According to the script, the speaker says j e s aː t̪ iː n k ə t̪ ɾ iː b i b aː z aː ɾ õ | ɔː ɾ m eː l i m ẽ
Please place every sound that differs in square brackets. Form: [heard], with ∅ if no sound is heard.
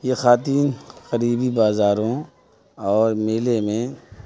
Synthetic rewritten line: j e [x] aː t̪ iː n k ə [∅] ɾ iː b i b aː z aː ɾ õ | ɔː ɾ m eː l [e] m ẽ